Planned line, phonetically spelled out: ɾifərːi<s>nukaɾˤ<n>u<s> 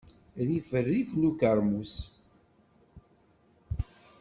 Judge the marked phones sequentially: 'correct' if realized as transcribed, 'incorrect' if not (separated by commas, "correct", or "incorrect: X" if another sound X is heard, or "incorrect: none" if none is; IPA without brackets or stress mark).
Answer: incorrect: f, incorrect: m, correct